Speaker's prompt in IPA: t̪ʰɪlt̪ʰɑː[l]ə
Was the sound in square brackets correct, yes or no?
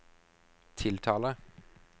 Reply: yes